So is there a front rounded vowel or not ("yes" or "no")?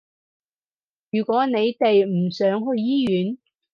yes